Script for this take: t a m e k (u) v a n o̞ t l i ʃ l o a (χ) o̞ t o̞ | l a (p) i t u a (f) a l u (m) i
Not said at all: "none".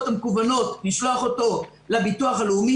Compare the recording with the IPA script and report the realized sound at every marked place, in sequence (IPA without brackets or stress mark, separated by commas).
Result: u, χ, b, χ, m